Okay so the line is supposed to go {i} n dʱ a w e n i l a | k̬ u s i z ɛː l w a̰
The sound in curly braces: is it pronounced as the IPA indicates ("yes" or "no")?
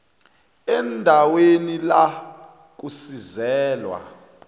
no